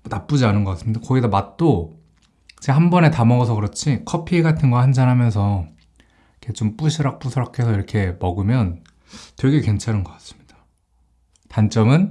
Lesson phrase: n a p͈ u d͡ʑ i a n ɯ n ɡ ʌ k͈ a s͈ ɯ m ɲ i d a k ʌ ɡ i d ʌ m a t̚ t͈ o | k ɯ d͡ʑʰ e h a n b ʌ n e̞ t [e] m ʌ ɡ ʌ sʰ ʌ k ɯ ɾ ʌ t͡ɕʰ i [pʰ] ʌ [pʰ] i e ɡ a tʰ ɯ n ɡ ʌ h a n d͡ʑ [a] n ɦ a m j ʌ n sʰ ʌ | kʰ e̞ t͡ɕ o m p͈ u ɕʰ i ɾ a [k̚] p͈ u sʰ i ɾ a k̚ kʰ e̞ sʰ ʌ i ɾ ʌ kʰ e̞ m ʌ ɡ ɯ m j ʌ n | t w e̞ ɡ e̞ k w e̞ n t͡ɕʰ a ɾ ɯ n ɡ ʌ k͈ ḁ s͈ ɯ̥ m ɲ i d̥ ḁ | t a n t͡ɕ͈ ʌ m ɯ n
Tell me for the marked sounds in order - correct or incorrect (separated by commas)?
incorrect, incorrect, correct, correct, correct